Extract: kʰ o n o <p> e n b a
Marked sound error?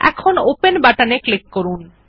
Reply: no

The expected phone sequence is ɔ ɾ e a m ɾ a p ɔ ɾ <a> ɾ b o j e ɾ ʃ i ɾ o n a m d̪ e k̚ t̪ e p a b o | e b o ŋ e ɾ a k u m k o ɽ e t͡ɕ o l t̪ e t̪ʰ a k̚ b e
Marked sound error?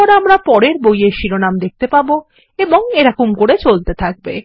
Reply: yes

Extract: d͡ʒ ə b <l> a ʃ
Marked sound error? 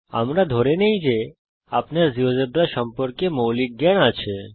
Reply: yes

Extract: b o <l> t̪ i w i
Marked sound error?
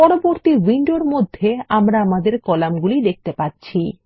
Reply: yes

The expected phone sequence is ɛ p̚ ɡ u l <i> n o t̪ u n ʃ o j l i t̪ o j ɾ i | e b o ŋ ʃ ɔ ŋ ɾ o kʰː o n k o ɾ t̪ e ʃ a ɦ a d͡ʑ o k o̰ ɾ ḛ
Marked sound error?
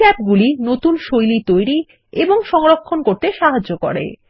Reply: no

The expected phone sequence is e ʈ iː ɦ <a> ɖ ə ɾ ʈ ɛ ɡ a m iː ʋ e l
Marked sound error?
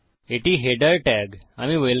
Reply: yes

